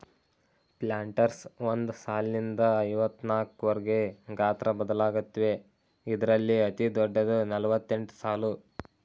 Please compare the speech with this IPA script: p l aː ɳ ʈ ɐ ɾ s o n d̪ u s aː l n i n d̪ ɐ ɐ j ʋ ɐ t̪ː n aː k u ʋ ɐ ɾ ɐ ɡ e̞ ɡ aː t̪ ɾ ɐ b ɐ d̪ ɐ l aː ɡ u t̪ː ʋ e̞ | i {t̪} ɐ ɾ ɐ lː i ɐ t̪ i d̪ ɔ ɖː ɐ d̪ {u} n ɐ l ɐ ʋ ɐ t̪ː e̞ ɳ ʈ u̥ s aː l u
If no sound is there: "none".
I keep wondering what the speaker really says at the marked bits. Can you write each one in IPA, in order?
d̪, u

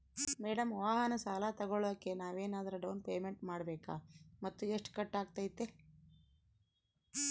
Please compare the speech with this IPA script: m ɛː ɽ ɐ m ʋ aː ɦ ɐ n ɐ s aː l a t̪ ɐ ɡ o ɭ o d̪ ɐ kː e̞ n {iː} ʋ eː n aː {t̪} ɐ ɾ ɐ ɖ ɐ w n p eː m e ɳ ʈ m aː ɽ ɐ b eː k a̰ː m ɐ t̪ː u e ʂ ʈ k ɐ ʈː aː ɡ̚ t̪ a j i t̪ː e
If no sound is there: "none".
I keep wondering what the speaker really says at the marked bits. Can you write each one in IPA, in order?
aː, d̪

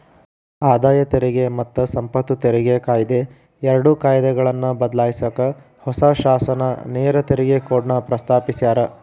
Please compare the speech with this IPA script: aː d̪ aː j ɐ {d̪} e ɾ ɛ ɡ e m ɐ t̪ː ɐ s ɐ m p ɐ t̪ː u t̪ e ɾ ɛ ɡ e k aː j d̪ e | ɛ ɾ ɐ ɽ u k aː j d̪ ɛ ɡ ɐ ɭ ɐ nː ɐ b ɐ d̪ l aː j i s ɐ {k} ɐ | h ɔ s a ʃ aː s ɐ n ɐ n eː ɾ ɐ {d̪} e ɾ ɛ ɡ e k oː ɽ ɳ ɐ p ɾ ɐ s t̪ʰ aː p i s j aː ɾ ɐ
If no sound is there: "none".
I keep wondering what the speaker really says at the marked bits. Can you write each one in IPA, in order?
t̪, k, t̪

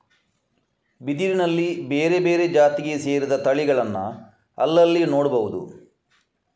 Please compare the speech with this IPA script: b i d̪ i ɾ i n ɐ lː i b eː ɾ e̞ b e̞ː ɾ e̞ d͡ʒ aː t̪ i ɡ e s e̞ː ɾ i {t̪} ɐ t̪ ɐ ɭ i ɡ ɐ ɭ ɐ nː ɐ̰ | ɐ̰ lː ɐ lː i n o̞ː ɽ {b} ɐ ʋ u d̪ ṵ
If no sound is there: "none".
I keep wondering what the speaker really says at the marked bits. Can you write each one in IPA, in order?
d̪, b

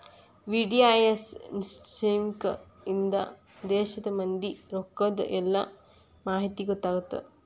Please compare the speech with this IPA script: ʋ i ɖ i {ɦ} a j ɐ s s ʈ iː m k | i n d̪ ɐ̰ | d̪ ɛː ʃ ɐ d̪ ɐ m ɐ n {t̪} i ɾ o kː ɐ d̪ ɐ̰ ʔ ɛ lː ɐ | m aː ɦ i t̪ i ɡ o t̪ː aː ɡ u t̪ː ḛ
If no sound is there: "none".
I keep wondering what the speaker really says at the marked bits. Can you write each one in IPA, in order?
none, d̪

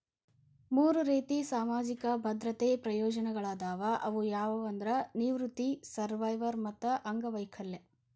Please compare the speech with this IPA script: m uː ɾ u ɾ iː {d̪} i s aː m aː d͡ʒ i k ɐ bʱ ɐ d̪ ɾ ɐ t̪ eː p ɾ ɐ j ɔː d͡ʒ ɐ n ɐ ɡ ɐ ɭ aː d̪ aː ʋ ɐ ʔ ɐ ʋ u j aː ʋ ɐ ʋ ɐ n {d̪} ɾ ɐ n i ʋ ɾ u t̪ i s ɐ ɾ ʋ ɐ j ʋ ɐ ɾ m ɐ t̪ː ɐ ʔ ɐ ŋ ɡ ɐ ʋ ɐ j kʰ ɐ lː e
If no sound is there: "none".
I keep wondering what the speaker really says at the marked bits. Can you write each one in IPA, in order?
t̪, d̪

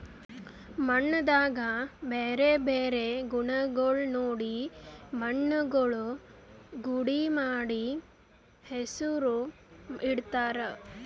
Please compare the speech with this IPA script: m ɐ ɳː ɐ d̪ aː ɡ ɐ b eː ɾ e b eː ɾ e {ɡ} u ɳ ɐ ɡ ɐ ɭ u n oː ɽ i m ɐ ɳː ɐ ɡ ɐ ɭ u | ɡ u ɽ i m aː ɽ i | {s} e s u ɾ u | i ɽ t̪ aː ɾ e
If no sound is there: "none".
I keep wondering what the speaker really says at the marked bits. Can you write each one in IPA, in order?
ɡ, h

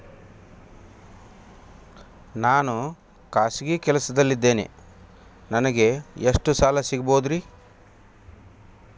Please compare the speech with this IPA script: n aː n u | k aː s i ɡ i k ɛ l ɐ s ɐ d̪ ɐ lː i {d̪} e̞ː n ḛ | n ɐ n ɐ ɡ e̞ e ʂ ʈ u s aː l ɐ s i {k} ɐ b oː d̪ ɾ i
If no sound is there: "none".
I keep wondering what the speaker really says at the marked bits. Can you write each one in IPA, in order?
d̪ː, ɡ

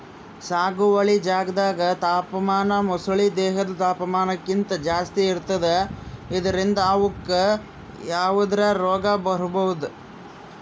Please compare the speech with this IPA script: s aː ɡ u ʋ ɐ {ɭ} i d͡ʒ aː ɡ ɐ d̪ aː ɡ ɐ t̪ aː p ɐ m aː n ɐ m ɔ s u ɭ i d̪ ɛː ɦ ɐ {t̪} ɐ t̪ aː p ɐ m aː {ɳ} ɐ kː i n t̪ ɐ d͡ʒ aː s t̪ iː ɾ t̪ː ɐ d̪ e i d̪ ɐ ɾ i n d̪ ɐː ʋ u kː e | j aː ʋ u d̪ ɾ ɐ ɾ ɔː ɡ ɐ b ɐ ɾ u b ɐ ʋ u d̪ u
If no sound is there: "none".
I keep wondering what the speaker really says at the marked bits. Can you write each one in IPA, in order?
ɭ, d̪, n

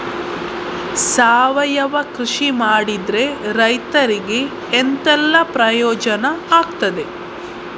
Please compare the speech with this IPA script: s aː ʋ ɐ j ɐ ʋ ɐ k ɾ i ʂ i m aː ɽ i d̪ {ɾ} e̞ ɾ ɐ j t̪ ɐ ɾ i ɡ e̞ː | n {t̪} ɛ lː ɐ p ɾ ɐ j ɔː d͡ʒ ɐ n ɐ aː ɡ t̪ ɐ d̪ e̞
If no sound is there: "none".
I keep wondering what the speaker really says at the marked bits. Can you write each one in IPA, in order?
ɾ, t̪

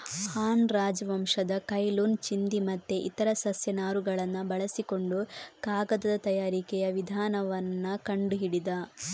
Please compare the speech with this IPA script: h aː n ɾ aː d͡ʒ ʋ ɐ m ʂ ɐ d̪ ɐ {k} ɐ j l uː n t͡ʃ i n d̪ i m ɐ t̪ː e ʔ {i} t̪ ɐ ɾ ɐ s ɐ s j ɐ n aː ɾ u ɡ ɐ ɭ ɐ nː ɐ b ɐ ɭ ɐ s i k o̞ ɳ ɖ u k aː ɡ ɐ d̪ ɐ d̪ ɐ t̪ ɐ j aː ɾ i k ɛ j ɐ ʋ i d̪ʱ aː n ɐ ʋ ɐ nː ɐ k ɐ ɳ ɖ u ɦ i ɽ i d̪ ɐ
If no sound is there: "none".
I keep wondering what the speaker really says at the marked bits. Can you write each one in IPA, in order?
k, i

